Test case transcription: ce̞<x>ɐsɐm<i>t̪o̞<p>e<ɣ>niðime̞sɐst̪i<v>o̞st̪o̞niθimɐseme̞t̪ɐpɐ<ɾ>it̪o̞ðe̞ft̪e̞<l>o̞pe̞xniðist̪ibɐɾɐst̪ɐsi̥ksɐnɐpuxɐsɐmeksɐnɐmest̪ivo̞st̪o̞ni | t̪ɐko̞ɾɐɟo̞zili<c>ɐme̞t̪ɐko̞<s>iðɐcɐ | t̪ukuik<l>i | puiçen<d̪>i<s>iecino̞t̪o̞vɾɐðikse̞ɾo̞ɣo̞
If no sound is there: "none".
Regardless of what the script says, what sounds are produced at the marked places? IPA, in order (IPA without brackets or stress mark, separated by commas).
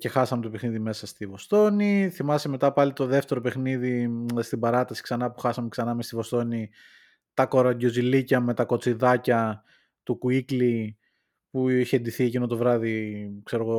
x, e, p, x, v, l, ɾ, c, t͡s, l, d̪, θ